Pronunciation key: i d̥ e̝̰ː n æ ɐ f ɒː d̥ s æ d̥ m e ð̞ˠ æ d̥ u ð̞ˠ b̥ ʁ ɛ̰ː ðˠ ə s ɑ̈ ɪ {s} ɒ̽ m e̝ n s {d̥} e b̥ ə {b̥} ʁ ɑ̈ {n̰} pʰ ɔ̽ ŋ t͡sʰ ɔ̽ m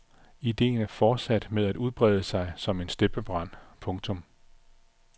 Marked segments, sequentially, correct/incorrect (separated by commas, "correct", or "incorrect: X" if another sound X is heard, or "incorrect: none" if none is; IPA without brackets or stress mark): correct, correct, correct, correct